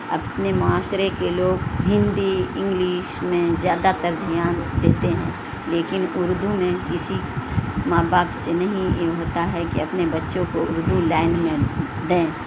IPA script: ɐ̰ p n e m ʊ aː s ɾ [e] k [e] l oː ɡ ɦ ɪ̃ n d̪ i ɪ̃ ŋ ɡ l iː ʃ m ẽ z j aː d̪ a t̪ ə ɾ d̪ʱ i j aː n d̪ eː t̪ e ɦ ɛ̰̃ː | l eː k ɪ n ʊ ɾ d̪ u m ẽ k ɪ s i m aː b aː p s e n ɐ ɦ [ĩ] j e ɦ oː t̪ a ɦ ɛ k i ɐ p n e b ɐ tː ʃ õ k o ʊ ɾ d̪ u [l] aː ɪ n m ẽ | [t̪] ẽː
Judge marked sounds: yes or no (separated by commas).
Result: yes, yes, yes, yes, no